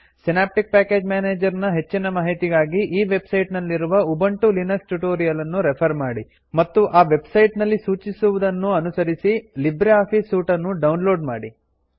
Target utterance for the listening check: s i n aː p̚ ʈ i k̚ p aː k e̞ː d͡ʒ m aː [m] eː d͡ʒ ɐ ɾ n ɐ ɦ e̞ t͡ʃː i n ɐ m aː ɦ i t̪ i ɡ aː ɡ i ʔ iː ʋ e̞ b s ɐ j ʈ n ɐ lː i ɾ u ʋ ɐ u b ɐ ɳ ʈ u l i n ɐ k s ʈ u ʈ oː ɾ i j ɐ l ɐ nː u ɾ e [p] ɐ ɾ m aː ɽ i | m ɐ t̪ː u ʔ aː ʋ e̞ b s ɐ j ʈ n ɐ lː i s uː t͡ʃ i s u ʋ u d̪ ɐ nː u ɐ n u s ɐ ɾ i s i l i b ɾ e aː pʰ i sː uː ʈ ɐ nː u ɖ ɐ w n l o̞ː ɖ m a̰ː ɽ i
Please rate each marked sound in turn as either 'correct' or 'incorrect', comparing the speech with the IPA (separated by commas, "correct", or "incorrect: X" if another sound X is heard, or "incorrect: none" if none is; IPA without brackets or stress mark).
incorrect: n, incorrect: pʰ